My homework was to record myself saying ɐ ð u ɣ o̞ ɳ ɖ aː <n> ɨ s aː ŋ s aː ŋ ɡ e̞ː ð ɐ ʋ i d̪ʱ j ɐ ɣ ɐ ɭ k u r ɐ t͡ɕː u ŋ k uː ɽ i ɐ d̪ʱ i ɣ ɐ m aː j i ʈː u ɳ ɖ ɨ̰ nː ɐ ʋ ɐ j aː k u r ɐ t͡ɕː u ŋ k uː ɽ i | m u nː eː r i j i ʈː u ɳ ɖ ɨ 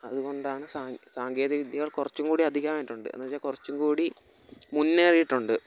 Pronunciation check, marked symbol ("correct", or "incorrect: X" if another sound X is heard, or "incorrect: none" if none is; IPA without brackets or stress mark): incorrect: ɳ